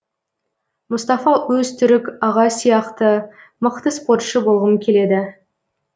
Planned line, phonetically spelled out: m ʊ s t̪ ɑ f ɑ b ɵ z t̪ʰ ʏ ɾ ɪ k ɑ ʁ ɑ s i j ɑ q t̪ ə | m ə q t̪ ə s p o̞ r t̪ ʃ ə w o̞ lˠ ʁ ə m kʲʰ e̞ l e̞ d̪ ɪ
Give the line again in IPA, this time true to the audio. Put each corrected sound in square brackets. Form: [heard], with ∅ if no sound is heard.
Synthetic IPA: m ʊ s t̪ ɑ f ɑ [w] ɵ z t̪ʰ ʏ ɾ ɪ k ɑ ʁ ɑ s i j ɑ q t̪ ə | m ə q t̪ ə s p o̞ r t̪ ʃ ə [b] o̞ lˠ ʁ ə m kʲʰ e̞ l e̞ d̪ ɪ

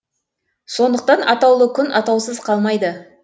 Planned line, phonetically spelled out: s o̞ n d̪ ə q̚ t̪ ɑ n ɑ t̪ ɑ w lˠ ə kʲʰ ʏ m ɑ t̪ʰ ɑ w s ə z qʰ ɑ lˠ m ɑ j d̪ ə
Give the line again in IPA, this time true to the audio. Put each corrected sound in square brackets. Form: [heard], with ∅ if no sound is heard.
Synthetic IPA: s o̞ n d̪ ə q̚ t̪ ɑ n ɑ t̪ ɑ w lˠ ə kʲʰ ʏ [n] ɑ [t̪] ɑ w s ə z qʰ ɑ lˠ m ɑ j d̪ ə

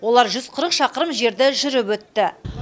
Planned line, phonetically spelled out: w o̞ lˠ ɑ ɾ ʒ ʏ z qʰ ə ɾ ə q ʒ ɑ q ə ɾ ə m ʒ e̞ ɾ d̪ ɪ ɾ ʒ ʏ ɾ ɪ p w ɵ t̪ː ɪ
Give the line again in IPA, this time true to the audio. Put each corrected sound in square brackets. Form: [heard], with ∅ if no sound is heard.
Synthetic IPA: w o̞ lˠ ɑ ɾ ʒ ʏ z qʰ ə ɾ ə q [ʃ] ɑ q ə ɾ ə m ʒ e̞ ɾ d̪ ɪ [∅] ʒ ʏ ɾ ɪ p w ɵ t̪ː ɪ

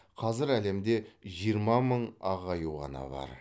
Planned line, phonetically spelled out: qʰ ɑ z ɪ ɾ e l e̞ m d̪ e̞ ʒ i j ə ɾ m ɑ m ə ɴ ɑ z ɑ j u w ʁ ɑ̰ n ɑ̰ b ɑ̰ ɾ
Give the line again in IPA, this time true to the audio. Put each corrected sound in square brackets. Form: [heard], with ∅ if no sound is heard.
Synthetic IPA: qʰ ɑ z ɪ ɾ [æ] l e̞ m d̪ e̞ ʒ i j ə ɾ m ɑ m ə ɴ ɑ [ʁ] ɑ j u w ʁ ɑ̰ n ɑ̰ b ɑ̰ ɾ

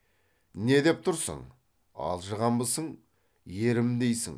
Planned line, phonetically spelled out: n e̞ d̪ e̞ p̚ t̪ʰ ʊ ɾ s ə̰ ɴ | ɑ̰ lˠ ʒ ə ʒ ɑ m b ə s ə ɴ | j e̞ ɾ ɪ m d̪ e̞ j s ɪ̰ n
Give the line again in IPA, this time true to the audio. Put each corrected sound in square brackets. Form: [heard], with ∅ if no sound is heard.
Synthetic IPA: n e̞ d̪ e̞ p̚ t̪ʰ ʊ ɾ s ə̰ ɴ | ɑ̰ lˠ ʒ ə [ʁ] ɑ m b ə s ə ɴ | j e̞ ɾ ɪ m d̪ e̞ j s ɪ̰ [ŋ]

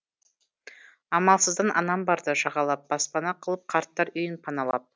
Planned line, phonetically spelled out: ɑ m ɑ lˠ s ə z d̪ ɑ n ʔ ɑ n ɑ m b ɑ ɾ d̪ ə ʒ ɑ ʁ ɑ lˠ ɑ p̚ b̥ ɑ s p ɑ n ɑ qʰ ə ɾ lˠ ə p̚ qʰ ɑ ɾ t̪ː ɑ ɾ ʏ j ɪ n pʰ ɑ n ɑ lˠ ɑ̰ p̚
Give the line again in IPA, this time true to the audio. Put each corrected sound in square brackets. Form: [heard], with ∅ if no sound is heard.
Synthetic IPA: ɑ m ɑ lˠ s ə z d̪ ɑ n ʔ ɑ n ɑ m b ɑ ɾ d̪ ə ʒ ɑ ʁ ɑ lˠ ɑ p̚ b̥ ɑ s p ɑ n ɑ qʰ ə [∅] lˠ ə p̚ qʰ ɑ ɾ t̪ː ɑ ɾ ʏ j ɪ n pʰ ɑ n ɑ lˠ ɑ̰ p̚

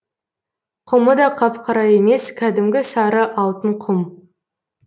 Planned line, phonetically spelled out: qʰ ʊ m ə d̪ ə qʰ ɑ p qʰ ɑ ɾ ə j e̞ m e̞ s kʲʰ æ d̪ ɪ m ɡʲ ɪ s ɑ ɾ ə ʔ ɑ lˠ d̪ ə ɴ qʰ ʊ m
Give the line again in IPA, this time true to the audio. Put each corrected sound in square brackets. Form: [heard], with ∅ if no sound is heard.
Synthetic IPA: qʰ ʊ m ə d̪ [ɑ] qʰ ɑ p qʰ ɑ ɾ [ɑ] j e̞ m e̞ s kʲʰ æ d̪ ɪ m ɡʲ ɪ s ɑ ɾ ə ʔ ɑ lˠ [t̪] ə ɴ qʰ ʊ m

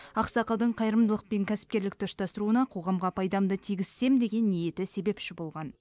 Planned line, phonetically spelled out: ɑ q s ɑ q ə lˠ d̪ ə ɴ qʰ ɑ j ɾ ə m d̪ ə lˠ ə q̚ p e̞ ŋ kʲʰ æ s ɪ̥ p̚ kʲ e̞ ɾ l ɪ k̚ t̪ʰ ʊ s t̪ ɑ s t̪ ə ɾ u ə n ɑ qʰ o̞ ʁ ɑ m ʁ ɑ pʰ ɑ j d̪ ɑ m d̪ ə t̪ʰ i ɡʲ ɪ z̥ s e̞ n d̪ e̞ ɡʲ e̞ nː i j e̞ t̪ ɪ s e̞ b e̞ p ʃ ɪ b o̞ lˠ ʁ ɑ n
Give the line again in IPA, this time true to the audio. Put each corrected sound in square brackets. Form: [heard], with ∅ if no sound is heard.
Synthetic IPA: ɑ q s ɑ q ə lˠ d̪ ə ɴ qʰ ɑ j ɾ ə m d̪ ə lˠ ə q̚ p e̞ ŋ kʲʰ æ s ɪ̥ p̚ kʲ e̞ ɾ l ɪ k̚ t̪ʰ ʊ [ʃ] t̪ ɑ s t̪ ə ɾ u ə n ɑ qʰ o̞ ʁ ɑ m ʁ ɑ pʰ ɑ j d̪ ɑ m d̪ ə t̪ʰ i ɡʲ ɪ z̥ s e̞ [m] d̪ e̞ ɡʲ e̞ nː i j e̞ t̪ ɪ s e̞ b e̞ p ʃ ɪ b o̞ lˠ ʁ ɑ n

